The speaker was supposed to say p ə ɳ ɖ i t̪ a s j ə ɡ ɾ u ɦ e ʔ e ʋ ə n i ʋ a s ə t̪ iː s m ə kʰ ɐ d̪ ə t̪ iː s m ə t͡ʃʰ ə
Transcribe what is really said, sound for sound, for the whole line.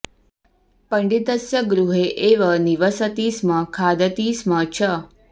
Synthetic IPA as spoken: p ə ɳ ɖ i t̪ ə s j ə ɡ ɾ u ɦ e ʔ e ʋ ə n i ʋ ə s ə t̪ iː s m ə kʰ a d̪ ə t̪ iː s m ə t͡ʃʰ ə